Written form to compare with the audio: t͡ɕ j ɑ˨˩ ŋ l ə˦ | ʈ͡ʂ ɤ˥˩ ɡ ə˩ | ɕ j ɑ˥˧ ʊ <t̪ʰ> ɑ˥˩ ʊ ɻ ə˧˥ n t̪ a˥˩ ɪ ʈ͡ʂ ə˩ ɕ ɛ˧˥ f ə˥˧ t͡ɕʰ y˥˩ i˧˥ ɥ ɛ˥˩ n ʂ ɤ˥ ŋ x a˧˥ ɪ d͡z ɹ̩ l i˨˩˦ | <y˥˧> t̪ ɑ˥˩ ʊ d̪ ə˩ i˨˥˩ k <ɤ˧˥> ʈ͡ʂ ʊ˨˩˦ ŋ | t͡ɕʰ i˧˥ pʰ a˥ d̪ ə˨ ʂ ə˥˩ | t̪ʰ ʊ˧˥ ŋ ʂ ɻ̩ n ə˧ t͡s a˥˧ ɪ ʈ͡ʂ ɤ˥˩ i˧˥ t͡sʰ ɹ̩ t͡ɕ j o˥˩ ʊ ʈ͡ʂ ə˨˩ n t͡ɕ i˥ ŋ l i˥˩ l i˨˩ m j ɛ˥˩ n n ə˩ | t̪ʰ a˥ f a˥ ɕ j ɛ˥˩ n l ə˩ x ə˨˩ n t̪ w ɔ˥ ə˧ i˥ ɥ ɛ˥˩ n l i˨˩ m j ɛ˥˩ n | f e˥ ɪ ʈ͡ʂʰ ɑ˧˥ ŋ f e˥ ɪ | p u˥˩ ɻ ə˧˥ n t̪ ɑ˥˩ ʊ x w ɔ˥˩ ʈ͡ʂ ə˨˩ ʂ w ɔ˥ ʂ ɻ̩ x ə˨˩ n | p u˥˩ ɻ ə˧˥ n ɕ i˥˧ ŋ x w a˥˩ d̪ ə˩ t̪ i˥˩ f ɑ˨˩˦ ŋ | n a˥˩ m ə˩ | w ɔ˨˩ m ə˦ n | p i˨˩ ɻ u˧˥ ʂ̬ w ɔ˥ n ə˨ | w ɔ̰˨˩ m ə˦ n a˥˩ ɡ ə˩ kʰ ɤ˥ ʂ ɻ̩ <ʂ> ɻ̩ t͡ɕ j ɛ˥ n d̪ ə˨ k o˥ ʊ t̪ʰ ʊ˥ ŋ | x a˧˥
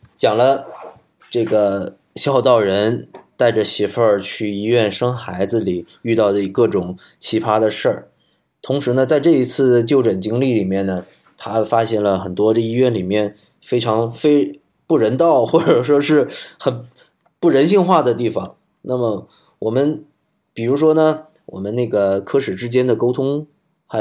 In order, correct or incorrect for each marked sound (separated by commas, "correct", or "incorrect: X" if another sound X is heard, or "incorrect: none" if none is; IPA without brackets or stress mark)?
incorrect: t̪, correct, incorrect: ɤ˥˩, incorrect: ʈ͡ʂ